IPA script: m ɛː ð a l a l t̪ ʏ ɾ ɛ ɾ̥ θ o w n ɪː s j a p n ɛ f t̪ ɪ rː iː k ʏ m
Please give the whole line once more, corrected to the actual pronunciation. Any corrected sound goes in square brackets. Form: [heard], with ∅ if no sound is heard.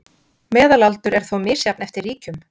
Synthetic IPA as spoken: m ɛː ð a l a l t̪ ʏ ɾ ɛ ɾ̥ θ o w [m] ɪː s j a p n ɛ f t̪ ɪ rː iː [c] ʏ m